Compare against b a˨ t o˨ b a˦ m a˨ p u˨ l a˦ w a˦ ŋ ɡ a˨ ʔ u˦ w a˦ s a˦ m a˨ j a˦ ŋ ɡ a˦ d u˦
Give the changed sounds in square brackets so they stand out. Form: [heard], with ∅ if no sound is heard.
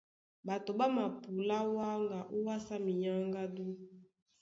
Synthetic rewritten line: b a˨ t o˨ b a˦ m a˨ p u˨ l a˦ w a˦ ŋ ɡ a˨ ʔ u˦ w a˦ s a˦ m [i˨] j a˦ ŋ ɡ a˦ d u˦